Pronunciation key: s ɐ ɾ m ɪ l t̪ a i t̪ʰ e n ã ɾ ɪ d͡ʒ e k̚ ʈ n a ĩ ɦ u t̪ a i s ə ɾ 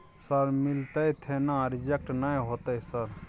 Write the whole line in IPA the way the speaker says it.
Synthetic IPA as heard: s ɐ ɾ m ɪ l t̪ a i t̪ʰ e n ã ɾ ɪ d͡ʒ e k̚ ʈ n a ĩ ɦ o t̪ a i s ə ɾ